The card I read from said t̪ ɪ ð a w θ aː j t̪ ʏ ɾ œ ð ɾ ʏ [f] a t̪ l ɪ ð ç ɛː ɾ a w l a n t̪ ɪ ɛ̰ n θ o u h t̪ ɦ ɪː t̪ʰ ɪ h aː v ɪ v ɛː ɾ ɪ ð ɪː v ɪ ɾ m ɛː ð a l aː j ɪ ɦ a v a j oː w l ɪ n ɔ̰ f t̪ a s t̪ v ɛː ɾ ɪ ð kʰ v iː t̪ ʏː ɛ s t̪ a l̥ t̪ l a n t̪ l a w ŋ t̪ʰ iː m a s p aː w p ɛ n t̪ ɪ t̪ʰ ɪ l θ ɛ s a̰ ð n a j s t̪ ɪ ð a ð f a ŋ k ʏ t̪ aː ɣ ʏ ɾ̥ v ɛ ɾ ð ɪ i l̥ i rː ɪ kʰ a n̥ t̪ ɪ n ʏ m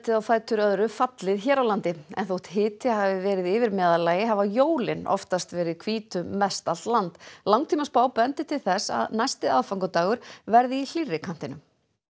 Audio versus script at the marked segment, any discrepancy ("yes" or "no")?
no